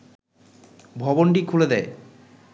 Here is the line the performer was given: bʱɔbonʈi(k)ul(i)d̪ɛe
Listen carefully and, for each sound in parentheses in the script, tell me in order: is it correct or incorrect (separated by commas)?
incorrect, incorrect